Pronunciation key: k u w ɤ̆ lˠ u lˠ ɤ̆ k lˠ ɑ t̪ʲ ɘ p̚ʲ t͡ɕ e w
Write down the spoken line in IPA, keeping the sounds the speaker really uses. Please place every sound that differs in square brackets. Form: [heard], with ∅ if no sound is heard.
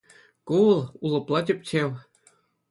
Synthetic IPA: k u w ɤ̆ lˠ u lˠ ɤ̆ [p] lˠ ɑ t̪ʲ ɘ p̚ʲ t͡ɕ e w